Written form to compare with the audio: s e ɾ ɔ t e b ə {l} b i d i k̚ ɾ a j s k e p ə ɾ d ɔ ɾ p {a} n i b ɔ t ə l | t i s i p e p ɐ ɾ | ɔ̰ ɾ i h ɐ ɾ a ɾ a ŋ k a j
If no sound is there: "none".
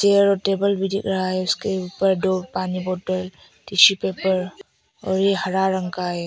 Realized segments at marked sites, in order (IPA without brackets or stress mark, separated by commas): l, a